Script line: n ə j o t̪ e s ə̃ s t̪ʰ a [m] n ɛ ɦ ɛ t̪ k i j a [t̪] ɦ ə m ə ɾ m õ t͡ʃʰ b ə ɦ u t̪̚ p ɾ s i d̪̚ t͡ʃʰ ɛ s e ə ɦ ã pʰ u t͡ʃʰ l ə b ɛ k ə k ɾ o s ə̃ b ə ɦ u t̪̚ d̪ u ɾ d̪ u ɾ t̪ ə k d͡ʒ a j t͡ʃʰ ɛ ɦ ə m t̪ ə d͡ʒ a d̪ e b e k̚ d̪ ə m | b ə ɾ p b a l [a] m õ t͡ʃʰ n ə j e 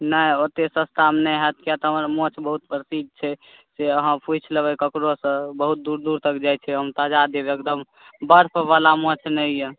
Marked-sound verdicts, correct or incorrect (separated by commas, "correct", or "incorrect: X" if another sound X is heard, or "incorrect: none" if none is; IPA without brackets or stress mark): correct, correct, correct